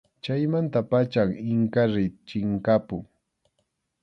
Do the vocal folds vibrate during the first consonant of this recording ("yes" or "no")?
no